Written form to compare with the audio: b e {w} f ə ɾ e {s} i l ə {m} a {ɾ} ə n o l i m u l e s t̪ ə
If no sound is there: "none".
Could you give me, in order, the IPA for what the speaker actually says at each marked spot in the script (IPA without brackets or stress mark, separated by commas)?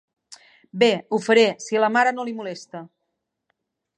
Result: u, s, m, ɾ